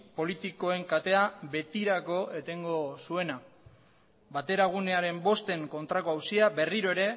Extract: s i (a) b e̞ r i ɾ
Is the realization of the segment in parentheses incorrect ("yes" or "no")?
no